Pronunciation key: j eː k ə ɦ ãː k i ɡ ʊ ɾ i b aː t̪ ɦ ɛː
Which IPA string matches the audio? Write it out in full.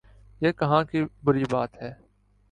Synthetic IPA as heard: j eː k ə ɦ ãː k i b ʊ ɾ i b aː t̪ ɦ ɛː